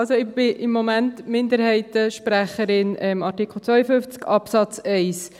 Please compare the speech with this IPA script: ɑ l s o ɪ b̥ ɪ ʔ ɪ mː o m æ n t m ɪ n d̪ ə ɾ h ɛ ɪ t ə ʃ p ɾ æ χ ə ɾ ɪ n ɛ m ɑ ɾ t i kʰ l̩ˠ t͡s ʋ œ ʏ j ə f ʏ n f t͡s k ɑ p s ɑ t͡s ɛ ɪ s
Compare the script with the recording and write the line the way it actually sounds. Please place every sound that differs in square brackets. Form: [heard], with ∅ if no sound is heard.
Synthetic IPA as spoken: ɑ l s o ɪ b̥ ɪ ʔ ɪ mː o m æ n t m ɪ n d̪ ə ɾ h ɛ ɪ t ə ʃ p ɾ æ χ ə ɾ ɪ n ɛ m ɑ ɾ t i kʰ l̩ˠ t͡s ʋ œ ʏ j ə f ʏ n f t͡s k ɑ p s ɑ t͡s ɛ ɪ s